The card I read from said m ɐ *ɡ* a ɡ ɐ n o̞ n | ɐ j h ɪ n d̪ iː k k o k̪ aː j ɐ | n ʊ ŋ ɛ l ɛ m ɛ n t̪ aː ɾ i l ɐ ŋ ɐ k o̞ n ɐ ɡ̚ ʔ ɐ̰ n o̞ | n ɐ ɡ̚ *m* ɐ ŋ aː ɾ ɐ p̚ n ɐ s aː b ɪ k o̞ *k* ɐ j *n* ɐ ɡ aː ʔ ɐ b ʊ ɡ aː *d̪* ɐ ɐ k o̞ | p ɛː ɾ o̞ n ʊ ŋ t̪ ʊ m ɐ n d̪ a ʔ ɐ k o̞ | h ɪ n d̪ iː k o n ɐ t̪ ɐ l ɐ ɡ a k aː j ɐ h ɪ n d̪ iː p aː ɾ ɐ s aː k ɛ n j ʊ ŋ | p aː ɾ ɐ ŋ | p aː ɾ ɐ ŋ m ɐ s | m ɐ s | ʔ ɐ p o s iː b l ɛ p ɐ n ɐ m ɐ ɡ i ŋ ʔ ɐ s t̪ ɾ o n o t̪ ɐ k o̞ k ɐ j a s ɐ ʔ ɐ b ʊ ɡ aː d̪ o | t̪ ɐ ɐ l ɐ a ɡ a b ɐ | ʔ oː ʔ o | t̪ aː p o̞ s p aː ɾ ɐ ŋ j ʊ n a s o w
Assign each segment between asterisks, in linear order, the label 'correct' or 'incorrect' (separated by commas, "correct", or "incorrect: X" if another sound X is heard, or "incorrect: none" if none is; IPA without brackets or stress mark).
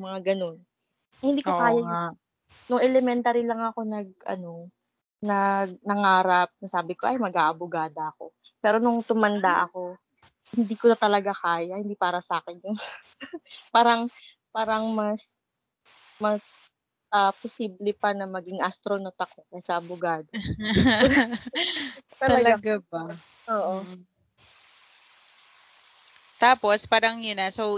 incorrect: ŋ, incorrect: n, incorrect: ʔ, incorrect: m, correct